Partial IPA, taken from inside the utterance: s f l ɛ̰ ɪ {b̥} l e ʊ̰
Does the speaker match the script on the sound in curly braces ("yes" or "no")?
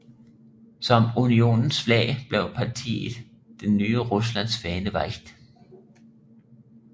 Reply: yes